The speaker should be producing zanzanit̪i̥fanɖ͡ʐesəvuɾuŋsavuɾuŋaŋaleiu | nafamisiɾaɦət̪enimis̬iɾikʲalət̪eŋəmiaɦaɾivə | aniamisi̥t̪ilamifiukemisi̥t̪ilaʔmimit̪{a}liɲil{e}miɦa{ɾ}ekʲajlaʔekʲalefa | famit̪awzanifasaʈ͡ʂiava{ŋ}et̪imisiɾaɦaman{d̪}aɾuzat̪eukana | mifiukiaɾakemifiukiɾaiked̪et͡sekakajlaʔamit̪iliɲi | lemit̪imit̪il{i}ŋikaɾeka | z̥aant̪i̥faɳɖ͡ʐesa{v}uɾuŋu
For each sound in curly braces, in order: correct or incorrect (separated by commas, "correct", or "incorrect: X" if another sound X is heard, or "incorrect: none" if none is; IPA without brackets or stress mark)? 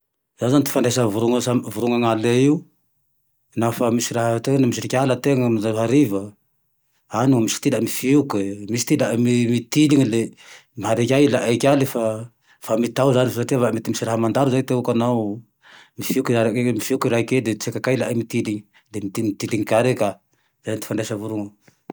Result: incorrect: i, correct, correct, incorrect: m, correct, correct, correct